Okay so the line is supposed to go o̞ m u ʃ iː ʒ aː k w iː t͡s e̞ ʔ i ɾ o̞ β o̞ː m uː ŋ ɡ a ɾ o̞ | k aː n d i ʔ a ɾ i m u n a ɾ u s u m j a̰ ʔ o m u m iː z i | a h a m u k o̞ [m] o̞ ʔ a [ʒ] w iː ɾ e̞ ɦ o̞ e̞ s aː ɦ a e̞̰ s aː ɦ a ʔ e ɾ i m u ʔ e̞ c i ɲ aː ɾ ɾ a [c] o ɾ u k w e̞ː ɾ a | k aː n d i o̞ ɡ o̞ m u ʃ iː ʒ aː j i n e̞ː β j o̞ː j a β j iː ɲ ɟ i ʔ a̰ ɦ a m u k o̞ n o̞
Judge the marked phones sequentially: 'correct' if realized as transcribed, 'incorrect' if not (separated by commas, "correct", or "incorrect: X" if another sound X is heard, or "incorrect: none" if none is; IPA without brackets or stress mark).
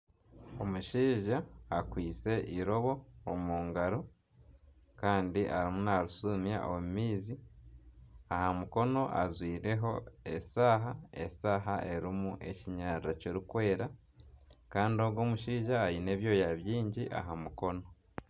incorrect: n, incorrect: z, correct